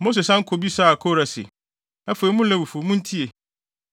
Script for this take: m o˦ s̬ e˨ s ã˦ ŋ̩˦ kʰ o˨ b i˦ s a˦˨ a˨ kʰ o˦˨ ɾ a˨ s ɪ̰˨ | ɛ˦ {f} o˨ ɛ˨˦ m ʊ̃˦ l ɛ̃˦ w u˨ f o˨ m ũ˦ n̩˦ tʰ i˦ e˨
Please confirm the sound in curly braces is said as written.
yes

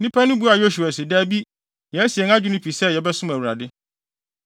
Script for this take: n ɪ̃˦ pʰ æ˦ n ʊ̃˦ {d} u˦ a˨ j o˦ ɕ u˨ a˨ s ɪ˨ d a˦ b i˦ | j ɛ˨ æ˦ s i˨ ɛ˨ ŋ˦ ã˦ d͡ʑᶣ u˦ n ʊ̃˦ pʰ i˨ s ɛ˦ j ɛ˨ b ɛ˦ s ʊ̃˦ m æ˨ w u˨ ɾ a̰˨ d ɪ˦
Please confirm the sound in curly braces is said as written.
no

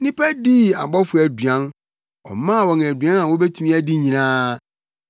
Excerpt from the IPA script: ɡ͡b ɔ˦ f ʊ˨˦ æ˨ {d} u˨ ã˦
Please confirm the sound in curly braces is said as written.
yes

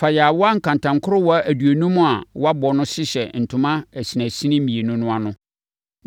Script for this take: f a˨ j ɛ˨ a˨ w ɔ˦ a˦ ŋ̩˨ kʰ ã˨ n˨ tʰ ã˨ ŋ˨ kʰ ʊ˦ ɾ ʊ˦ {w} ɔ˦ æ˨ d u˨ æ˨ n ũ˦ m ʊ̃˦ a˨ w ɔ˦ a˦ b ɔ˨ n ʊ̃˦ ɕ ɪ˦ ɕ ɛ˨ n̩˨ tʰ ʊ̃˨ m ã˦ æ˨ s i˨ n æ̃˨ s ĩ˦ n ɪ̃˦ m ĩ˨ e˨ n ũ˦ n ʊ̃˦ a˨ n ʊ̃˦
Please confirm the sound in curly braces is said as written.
yes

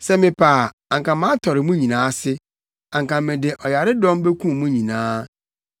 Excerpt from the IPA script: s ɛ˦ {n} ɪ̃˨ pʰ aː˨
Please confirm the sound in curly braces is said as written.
no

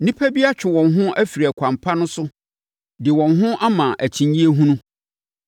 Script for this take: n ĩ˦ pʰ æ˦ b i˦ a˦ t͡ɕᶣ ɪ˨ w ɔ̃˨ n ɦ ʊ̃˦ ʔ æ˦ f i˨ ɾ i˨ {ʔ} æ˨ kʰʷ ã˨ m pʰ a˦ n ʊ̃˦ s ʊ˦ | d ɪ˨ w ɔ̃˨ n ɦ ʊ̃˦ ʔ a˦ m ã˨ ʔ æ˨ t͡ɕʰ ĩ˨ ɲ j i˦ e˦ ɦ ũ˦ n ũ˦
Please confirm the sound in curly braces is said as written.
no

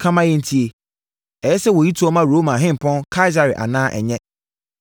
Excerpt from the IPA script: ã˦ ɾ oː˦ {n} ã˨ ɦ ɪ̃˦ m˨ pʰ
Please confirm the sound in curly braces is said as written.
no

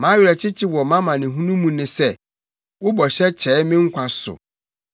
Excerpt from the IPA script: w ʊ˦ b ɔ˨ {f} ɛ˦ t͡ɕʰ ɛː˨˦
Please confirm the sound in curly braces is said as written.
no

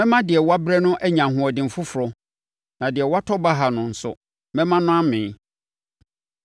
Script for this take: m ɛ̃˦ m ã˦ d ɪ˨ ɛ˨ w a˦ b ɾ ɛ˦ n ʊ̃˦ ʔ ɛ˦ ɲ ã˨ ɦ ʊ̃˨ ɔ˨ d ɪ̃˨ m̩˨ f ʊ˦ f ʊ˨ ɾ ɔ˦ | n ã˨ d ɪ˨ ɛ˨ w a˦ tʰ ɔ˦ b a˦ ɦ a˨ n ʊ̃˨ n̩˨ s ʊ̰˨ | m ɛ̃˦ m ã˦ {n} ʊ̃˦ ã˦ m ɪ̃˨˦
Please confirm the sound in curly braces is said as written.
yes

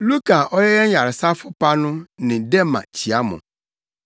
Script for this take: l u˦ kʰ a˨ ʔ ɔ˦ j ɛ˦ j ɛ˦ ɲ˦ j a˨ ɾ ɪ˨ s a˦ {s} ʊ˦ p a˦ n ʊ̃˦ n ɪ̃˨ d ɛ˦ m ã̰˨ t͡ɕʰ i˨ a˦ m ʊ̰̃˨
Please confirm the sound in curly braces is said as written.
no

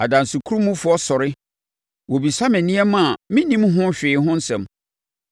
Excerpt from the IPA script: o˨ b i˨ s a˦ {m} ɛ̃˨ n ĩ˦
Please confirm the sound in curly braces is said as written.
yes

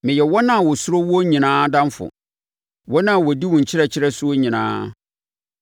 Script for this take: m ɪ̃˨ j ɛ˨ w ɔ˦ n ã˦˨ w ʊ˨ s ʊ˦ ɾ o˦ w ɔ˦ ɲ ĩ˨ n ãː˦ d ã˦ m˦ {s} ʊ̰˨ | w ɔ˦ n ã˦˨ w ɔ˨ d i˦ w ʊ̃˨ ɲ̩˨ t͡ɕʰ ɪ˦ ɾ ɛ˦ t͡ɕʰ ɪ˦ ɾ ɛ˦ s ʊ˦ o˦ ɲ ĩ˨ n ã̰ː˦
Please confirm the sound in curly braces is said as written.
no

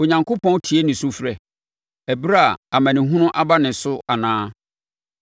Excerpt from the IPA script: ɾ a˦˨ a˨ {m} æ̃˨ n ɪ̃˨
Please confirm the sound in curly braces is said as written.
yes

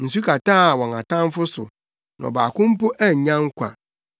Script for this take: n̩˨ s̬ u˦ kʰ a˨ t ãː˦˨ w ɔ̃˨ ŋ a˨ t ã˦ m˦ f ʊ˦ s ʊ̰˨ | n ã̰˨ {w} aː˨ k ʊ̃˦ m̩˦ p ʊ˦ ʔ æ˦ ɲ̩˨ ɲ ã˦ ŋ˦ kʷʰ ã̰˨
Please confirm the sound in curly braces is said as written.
no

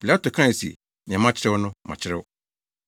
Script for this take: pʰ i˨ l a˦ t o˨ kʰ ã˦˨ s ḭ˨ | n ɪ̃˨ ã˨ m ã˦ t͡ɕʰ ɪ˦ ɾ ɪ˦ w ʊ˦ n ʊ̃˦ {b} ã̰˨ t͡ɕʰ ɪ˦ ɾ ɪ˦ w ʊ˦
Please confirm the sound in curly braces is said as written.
no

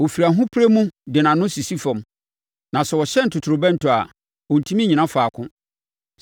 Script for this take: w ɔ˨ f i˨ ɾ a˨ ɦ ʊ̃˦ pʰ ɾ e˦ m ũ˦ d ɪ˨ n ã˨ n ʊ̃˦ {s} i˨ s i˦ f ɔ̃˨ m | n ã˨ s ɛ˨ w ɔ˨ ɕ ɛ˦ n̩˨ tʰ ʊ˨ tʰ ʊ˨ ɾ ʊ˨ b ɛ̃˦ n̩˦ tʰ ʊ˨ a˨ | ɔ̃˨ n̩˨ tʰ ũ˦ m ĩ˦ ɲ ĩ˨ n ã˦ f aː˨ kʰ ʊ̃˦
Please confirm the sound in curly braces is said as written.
yes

